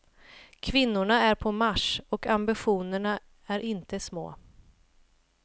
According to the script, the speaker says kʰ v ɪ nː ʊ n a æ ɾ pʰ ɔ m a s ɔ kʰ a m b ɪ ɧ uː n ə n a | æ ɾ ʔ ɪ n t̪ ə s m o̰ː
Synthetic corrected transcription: kʰ v ɪ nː ʊ ɳ a æ ɾ pʰ ɔ m a ʂ ɔ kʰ a m b ɪ ɧ uː n ə ɳ a | æ ɾ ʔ ɪ n t̪ ə s m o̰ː